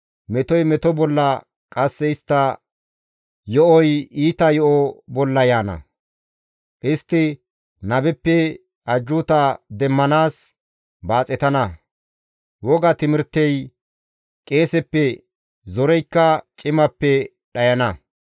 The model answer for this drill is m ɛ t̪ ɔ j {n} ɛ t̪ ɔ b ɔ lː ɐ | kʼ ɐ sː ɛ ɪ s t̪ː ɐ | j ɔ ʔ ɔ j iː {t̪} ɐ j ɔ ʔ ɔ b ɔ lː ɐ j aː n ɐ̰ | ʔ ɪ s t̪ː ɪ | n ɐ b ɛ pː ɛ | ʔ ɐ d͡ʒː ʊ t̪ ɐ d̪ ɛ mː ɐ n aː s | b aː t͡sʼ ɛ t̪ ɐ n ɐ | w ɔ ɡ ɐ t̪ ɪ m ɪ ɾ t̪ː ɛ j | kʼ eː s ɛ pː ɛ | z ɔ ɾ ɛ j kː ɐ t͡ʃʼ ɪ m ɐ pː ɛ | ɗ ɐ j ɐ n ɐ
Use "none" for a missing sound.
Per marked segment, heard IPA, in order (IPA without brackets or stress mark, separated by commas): m, t̪